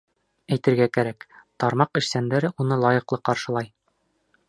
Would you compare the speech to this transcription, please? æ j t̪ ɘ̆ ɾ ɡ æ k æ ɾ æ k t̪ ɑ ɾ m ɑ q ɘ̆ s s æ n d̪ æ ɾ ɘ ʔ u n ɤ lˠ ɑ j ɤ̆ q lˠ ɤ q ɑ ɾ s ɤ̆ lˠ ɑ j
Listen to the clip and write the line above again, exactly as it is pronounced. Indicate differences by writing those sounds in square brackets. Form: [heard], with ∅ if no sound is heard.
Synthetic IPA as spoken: æ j t̪ ɘ̆ ɾ ɡ æ k æ ɾ æ k t̪ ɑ ɾ m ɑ q ɘ̆ [ʃ] s æ n d̪ æ ɾ ɘ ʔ u n ɤ lˠ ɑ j ɤ̆ q lˠ ɤ q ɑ ɾ [ʃ] ɤ̆ lˠ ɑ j